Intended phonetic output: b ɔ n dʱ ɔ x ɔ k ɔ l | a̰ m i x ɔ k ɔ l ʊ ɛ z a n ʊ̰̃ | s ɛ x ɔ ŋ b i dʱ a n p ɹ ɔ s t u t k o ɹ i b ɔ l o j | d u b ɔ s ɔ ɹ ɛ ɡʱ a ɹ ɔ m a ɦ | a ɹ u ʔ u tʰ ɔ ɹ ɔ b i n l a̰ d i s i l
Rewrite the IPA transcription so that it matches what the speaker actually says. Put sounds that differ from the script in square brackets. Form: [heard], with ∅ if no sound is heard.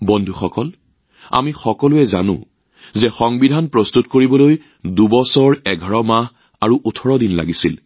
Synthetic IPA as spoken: b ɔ n dʱ [u] x ɔ k ɔ l | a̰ m i x ɔ k ɔ l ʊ ɛ z a n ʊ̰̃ | [z] ɛ x ɔ ŋ b i dʱ a n p ɹ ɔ s t u t k o ɹ i b ɔ l o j | d u b ɔ s ɔ ɹ ɛ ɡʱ a ɹ ɔ m a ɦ | a ɹ u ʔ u tʰ ɔ ɹ ɔ [d] i n l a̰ [ɡ] i s i l